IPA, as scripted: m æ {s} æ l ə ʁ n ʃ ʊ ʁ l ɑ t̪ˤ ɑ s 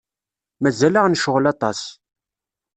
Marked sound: incorrect: z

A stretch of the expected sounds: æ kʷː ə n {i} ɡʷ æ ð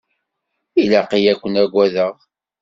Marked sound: incorrect: æ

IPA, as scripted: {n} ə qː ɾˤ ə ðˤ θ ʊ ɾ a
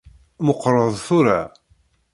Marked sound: incorrect: m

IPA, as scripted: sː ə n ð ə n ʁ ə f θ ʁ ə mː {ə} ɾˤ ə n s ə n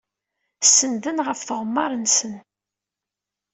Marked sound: incorrect: ɑ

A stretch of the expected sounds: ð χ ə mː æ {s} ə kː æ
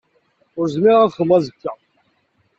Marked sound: incorrect: z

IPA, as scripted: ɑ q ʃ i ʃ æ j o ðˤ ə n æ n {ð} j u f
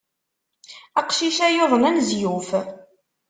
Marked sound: incorrect: z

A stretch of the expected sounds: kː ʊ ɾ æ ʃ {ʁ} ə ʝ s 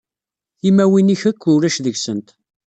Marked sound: incorrect: ð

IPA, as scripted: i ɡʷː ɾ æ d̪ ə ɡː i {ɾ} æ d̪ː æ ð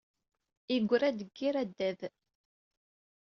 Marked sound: correct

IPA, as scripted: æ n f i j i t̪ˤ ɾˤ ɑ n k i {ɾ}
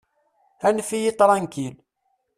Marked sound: incorrect: l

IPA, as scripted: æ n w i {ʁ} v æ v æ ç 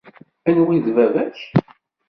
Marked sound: incorrect: ð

